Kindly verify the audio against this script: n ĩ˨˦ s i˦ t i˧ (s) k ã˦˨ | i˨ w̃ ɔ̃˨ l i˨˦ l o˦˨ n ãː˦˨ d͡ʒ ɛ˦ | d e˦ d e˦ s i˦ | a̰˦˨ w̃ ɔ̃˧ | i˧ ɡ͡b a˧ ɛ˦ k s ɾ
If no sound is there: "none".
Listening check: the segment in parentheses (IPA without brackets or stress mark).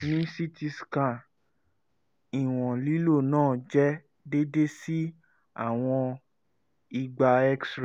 s